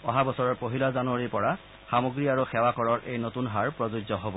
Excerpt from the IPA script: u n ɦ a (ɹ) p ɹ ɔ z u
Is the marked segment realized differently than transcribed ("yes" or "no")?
no